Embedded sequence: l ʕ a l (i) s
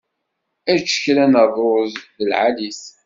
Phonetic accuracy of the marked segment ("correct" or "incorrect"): correct